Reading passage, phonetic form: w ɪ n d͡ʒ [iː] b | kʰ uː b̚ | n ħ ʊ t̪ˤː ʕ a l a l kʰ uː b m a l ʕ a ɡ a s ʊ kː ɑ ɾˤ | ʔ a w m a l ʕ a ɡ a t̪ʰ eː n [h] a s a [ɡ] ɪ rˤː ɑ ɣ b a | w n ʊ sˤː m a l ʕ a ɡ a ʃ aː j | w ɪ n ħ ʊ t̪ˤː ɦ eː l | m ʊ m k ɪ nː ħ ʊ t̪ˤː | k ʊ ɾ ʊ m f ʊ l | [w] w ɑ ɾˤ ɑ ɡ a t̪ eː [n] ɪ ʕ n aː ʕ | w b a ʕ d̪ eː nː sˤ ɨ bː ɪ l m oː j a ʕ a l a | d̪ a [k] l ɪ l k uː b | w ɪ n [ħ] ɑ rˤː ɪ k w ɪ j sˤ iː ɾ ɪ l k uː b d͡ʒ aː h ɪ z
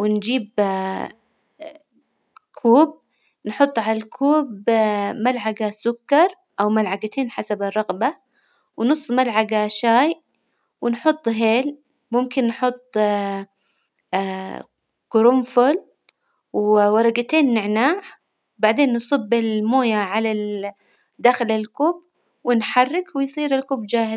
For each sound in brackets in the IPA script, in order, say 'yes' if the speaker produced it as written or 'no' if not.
yes, no, no, yes, no, no, yes

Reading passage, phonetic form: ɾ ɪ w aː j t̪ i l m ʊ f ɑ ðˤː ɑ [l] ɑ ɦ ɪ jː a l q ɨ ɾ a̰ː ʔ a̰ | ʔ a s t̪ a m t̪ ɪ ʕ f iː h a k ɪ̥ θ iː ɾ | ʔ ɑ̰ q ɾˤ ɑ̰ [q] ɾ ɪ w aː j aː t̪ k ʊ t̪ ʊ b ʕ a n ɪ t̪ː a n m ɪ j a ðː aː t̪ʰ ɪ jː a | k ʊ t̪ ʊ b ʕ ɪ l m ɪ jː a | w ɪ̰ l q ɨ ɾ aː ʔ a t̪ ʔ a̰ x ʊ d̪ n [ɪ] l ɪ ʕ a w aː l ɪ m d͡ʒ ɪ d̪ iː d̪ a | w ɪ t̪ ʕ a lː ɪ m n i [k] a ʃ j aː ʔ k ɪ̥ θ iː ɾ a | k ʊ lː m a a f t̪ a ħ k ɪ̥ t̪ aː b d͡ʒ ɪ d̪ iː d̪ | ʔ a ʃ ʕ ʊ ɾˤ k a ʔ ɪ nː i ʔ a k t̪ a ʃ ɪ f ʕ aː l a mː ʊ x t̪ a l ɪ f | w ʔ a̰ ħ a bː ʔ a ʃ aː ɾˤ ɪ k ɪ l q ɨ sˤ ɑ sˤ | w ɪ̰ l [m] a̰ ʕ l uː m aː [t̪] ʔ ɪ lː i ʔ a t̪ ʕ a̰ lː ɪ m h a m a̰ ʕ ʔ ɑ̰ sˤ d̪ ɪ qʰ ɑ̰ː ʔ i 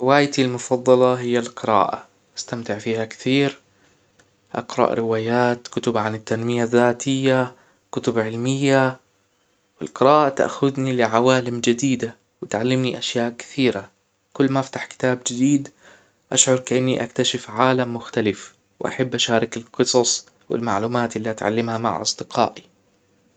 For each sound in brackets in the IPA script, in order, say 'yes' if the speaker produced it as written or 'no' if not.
yes, no, no, no, yes, yes

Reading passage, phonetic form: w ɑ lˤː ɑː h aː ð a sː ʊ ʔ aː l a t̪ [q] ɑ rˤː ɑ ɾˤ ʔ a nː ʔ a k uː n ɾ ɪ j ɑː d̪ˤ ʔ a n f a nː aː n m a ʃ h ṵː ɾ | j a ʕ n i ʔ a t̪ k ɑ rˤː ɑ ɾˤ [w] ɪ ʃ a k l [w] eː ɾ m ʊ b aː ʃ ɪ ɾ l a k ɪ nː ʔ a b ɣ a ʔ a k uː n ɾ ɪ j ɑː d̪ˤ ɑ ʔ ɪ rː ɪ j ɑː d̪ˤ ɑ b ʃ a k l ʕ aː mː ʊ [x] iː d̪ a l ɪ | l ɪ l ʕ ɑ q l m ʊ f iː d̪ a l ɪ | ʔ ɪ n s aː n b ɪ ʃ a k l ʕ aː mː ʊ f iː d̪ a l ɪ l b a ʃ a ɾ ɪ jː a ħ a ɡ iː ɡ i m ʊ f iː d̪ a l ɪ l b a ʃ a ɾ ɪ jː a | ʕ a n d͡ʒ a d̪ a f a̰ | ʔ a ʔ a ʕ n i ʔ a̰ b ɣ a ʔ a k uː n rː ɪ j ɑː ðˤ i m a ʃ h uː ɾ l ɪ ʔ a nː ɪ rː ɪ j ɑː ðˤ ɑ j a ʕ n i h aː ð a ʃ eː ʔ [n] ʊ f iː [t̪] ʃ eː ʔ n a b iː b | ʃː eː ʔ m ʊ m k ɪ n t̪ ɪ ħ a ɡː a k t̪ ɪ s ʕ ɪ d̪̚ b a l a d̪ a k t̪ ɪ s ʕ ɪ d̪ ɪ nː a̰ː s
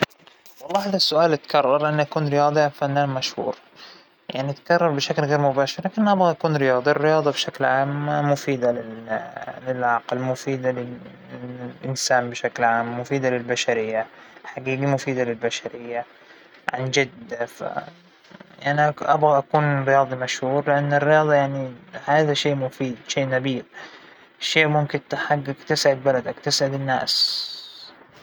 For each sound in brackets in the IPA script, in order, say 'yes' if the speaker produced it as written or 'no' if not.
no, no, no, no, no, no

